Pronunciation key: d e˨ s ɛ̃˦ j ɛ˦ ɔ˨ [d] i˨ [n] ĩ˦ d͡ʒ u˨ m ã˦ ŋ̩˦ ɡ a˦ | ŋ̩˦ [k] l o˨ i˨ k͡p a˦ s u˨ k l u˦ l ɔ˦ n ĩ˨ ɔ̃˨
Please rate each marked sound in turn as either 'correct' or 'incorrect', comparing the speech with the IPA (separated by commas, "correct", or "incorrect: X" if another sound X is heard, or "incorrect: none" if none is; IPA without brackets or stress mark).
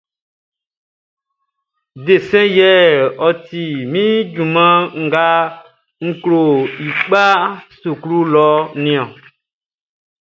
incorrect: t, incorrect: m, correct